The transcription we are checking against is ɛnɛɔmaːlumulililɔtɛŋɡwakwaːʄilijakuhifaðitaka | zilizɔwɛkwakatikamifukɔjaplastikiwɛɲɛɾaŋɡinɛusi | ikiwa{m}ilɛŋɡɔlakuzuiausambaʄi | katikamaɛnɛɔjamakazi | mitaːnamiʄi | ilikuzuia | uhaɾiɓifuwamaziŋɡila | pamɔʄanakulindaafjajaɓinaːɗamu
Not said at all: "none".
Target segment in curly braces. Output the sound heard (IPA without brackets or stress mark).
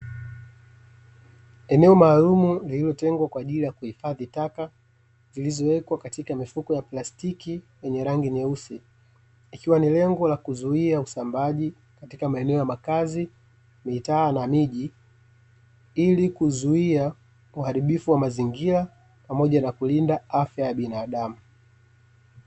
n